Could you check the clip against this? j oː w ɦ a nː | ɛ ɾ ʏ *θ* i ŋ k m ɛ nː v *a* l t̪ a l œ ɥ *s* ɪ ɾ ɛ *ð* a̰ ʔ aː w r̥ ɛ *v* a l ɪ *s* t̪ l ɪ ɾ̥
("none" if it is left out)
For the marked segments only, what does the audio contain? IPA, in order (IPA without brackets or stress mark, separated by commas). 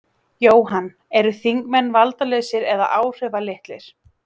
θ, a, s, ð, v, h